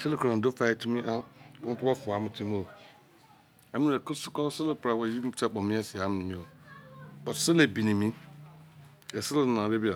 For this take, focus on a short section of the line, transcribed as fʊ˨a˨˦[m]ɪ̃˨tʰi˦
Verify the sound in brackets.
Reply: correct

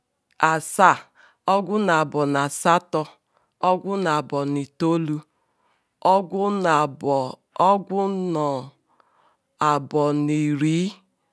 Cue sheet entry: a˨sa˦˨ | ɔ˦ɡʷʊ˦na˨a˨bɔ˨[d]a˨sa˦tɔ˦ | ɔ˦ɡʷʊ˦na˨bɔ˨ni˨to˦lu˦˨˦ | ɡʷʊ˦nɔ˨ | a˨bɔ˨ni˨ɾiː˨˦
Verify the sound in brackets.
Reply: incorrect: n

